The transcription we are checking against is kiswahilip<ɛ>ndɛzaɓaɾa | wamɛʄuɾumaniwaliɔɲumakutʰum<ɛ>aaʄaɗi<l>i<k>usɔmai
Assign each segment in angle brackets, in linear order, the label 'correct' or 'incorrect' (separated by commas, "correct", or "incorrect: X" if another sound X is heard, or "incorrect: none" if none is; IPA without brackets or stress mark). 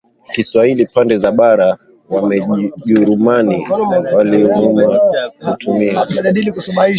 incorrect: a, incorrect: i, correct, correct